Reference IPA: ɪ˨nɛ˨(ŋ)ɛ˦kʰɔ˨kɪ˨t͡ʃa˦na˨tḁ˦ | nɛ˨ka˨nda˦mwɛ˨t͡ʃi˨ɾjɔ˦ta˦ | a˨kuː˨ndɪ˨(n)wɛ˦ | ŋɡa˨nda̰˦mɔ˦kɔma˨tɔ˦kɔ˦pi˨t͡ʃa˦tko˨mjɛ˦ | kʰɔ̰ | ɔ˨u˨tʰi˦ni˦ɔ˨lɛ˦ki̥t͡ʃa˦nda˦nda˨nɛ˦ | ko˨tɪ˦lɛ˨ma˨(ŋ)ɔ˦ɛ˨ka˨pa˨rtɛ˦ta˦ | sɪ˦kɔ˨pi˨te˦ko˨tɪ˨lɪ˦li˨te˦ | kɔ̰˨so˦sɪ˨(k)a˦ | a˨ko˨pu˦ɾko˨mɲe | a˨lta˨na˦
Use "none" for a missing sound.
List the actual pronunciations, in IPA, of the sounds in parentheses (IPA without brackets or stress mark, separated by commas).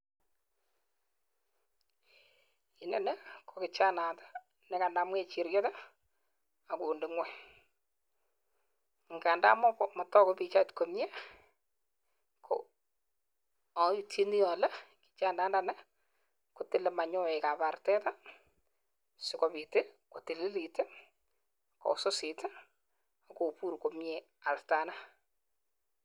n, ŋ, ɲ, t